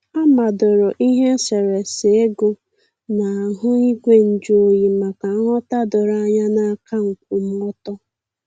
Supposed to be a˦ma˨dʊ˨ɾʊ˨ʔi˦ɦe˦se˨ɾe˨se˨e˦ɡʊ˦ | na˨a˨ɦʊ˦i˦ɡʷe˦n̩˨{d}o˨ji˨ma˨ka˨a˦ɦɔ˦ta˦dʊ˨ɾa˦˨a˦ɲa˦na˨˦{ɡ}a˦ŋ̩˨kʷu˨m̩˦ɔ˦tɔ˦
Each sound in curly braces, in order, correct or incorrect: incorrect: d͡ʒ, incorrect: k

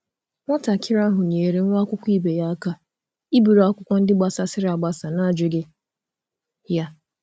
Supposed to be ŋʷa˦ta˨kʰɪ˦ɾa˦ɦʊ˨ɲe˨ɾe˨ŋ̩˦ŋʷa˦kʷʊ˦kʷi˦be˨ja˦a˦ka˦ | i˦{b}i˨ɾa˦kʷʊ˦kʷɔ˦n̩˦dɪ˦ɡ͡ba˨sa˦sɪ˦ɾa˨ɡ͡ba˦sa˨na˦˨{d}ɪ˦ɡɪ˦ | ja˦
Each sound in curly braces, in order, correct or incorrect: correct, incorrect: d͡ʒ

